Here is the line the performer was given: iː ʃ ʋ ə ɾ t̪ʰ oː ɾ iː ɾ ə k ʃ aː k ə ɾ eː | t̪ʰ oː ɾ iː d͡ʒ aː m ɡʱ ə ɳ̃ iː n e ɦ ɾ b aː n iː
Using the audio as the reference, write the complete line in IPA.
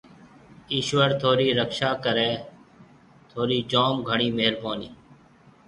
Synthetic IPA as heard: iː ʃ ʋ ə ɾ t̪ʰ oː ɾ iː ɾ ə k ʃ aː k ə ɾ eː | t̪ʰ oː ɾ iː d͡ʒ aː m ɡʱ ə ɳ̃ iː m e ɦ ɾ b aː n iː